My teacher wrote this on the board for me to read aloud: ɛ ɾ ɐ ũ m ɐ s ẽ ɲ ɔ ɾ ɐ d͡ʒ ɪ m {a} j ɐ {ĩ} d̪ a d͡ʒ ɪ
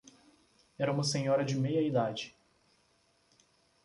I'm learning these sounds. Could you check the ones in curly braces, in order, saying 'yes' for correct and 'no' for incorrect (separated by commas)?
no, no